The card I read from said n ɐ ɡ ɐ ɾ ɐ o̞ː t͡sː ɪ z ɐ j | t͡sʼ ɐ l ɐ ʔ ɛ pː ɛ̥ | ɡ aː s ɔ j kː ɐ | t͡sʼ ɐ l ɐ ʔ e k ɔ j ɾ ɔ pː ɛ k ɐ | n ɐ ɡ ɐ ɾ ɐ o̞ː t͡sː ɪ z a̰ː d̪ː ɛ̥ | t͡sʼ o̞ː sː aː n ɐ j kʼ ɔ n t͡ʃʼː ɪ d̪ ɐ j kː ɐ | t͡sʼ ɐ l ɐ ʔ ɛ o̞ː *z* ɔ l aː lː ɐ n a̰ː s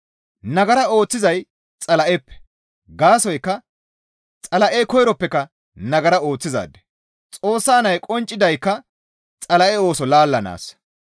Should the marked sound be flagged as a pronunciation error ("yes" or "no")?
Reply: yes